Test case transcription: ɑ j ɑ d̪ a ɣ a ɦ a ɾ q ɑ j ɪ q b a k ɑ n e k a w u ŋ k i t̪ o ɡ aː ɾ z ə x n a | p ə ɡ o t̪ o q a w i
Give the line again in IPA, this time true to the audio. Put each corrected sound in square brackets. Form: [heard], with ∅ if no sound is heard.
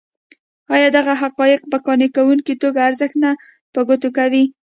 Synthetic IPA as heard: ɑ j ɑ d̪ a ɣ a ɦ a [∅] q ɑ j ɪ q b a k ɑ n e k a w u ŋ k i t̪ o ɡ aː ɾ z ə x n a | p ə ɡ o t̪ o [k] a w i